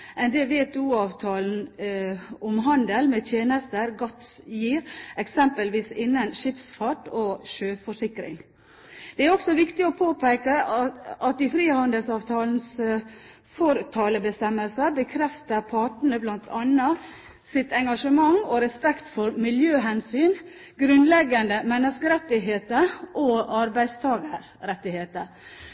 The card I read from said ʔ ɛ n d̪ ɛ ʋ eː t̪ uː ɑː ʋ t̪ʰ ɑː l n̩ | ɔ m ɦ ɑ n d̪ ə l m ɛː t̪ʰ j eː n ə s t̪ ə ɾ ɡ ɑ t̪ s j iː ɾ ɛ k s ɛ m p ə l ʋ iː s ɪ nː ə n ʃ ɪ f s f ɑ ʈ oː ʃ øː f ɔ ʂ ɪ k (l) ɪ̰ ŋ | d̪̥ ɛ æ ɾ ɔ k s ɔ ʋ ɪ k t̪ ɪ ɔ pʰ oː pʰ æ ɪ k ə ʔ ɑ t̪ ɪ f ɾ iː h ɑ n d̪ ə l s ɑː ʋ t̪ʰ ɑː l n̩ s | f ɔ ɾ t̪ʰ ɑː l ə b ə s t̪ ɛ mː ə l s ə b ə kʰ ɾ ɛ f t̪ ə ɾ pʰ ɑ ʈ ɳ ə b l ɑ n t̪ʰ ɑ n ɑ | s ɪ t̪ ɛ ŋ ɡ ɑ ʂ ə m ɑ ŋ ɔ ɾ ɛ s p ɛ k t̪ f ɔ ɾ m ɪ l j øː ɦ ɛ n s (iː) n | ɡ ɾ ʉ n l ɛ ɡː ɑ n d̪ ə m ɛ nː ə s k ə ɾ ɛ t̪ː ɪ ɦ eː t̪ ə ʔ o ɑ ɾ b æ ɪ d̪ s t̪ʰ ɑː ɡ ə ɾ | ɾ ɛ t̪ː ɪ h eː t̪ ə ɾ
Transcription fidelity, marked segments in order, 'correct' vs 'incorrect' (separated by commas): incorrect, incorrect